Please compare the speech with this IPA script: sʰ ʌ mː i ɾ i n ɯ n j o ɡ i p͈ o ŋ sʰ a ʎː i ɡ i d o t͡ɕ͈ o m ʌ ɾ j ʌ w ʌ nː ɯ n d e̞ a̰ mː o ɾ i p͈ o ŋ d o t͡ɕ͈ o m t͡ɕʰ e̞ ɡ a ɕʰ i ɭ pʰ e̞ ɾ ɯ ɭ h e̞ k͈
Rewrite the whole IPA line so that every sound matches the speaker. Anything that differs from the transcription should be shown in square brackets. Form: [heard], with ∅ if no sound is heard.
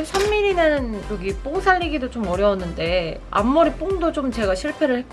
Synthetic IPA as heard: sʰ ʌ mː i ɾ i n ɯ n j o ɡ i p͈ o ŋ sʰ a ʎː i ɡ i d o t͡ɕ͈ o m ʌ ɾ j ʌ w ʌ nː ɯ n d e̞ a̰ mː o ɾ i p͈ o ŋ d o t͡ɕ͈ o m [t͡ɕ] e̞ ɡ a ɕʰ i ɭ pʰ e̞ ɾ ɯ ɭ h e̞ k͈